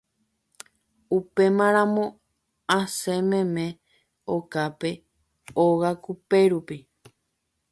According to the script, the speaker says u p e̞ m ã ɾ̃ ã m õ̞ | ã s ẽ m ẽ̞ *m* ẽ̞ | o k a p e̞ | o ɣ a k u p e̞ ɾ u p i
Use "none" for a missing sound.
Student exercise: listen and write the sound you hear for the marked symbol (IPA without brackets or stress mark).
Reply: m